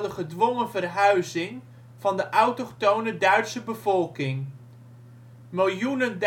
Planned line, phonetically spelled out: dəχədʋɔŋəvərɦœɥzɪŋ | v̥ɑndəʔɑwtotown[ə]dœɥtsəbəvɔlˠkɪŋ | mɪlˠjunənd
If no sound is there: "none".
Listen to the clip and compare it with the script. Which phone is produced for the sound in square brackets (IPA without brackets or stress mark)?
ə